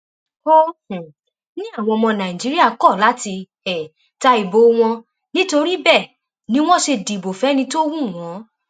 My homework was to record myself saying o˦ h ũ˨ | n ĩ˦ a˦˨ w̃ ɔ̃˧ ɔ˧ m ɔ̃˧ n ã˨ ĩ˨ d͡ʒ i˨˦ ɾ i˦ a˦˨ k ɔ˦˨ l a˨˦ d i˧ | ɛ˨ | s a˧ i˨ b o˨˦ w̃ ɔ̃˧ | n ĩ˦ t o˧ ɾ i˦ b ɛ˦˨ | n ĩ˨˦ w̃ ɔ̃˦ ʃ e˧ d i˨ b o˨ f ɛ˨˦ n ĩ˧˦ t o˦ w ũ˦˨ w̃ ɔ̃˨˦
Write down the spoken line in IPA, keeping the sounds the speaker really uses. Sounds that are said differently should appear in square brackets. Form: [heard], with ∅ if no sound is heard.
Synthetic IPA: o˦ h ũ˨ | n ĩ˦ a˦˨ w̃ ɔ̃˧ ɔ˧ m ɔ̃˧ n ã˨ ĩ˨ d͡ʒ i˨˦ ɾ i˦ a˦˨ k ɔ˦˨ l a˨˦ [t] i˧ | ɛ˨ | [t] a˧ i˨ b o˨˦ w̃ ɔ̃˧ | n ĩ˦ t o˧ ɾ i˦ b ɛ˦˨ | n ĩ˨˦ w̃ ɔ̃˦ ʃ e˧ d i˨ b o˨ f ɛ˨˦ n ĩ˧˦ t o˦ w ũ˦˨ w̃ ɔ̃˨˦

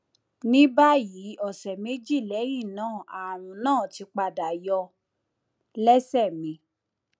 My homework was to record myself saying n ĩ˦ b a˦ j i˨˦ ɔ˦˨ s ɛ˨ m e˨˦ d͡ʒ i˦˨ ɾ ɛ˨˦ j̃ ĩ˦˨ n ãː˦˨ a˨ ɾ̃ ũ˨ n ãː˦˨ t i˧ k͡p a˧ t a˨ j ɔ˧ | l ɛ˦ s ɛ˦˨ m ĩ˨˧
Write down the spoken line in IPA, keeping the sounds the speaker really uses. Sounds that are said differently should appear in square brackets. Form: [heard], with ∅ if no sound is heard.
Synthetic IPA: n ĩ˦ b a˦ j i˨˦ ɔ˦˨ s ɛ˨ m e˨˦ d͡ʒ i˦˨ [l] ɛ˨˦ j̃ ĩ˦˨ n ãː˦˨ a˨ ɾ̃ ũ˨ n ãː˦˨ t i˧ k͡p a˧ [d] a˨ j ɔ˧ | l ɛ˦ s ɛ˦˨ m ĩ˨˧

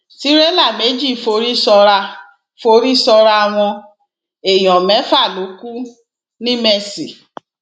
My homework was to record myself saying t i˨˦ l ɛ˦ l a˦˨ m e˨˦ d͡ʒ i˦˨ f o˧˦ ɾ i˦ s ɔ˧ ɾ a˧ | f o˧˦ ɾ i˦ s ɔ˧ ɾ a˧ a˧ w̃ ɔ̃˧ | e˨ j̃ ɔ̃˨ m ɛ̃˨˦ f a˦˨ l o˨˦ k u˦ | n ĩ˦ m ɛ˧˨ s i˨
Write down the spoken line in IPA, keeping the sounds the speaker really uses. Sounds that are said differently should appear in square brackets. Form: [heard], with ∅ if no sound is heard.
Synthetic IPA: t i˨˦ [ɾ] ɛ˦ l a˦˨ m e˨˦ d͡ʒ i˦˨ f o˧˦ ɾ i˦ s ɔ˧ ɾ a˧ | f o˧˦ ɾ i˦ s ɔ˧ ɾ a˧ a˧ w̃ ɔ̃˧ | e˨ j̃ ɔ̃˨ m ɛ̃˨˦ f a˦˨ l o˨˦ k u˦ | n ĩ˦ m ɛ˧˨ s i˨

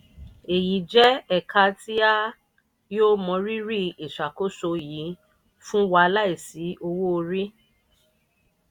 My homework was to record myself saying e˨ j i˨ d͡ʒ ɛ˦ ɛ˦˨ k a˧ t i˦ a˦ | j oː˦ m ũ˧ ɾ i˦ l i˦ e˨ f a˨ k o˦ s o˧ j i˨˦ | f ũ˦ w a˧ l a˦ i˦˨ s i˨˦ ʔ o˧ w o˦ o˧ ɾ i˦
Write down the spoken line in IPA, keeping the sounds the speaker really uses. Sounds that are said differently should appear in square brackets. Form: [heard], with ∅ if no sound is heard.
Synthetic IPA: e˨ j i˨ d͡ʒ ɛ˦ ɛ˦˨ k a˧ t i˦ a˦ | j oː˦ m [ɔ̃˧] ɾ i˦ [ɾ] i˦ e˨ [ʃ] a˨ k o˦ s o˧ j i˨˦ | f ũ˦ w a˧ l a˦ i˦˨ s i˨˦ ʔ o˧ w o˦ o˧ ɾ i˦

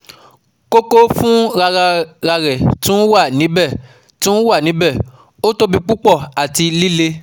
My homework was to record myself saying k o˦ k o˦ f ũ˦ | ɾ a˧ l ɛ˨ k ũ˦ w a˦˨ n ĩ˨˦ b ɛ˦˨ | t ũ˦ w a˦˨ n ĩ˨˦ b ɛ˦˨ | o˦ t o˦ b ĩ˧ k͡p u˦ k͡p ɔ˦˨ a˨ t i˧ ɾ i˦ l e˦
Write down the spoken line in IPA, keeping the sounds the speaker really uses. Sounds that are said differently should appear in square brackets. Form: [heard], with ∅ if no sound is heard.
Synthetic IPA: k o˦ k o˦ f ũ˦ | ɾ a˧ [ɾ] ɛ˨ [t] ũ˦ w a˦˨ n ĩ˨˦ b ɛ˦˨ | t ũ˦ w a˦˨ n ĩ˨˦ b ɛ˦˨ | o˦ t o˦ b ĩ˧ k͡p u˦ k͡p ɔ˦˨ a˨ t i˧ [l] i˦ l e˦

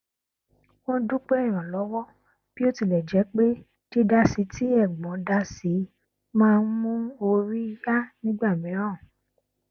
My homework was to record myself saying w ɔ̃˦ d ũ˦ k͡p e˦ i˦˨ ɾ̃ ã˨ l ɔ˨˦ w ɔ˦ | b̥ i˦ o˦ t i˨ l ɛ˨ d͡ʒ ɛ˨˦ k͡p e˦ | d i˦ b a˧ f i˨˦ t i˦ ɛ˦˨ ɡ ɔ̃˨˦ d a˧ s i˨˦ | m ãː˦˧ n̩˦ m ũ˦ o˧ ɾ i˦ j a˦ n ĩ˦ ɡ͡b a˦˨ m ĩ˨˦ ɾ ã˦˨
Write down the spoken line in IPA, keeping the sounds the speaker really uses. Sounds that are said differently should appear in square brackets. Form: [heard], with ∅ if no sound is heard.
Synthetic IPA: w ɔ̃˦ d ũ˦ k͡p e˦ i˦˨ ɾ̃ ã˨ l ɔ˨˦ w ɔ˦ | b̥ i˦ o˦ t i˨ l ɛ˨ d͡ʒ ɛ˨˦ k͡p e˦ | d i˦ [d] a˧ [s] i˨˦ t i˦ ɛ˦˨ [ɡ͡b] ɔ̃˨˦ d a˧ s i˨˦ | m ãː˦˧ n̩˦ m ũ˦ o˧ ɾ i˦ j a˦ n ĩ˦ ɡ͡b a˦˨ m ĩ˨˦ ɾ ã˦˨

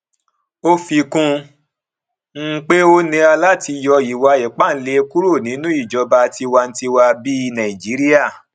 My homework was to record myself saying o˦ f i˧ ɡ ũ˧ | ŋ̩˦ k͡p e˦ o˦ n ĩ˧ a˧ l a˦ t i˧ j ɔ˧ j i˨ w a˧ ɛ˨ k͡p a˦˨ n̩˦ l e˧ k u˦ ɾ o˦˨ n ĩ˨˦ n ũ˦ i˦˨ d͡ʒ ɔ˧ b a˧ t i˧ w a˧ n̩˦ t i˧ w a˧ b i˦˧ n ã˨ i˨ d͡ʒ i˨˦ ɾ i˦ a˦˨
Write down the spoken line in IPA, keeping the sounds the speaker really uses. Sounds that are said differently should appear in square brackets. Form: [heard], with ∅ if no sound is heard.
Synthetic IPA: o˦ f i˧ [k] ũ˧ | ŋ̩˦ k͡p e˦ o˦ n ĩ˧ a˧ l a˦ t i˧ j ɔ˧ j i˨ w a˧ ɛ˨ k͡p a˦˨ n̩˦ l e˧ k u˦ ɾ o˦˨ n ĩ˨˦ n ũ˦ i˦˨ d͡ʒ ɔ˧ b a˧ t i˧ w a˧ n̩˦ t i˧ w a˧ b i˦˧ n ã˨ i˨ d͡ʒ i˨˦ ɾ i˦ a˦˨

